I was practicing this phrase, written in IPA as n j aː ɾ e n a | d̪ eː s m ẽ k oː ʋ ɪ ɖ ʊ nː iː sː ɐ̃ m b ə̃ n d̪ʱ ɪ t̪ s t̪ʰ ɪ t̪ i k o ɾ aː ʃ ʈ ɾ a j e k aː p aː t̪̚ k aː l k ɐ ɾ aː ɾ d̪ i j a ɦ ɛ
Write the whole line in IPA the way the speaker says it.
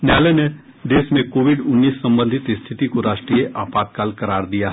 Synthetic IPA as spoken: n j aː l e n e | d̪ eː s m ẽ k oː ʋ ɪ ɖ ʊ nː iː sː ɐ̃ m b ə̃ n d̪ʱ ɪ t̪ s t̪ʰ ɪ t̪ i k o ɾ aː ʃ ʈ ɾ i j e ʔ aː p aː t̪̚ k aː l k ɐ ɾ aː ɾ d̪ i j a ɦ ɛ